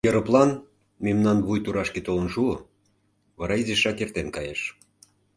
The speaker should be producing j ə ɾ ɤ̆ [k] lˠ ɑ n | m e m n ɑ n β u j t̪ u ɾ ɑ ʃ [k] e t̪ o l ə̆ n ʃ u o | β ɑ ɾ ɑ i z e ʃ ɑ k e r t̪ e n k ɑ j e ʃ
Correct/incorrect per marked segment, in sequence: incorrect: p, correct

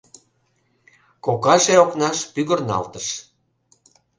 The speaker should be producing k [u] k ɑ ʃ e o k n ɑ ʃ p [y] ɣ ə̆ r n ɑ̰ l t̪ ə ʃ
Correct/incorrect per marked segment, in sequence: incorrect: o, correct

